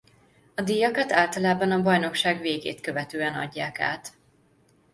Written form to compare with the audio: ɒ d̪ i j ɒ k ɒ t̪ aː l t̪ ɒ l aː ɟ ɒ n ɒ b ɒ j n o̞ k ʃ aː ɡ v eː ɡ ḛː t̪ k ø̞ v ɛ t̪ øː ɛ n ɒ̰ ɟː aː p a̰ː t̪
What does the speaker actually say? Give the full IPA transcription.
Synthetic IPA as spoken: ɒ d̪ i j ɒ k ɒ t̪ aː l t̪ ɒ l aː b ɒ n ɒ b ɒ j n o̞ k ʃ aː ɡ v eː ɡ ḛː t̪ k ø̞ v ɛ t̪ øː ɛ n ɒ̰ ɟː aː k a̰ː t̪